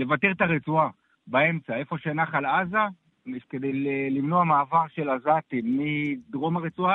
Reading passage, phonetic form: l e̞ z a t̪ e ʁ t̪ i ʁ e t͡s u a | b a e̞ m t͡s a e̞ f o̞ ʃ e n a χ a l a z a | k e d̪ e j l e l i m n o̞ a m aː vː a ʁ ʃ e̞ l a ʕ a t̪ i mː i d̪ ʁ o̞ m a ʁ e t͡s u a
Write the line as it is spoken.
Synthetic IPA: l e̞ v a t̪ e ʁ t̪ a ʁ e t͡s u a | b a e̞ m t͡s a e̞ f o̞ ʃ e n a χ a l a z a | k e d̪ e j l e l i m n o̞ a m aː v a ʁ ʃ e̞ l a z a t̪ i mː i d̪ ʁ o̞ m a ʁ e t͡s u a